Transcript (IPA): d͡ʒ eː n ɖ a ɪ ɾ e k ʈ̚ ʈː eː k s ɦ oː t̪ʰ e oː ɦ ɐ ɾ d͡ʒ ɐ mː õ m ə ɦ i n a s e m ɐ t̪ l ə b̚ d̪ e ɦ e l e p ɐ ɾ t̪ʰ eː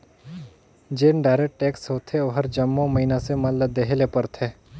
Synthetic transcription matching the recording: d͡ʒ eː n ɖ a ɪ ɾ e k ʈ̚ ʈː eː k s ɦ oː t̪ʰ e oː ɦ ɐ ɾ d͡ʒ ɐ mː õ m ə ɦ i n a s e m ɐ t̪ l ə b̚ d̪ e ɦ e l e p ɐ ɾ t̪ʰ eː